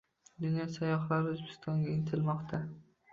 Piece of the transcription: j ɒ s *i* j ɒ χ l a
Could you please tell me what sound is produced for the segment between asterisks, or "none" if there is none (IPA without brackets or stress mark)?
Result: a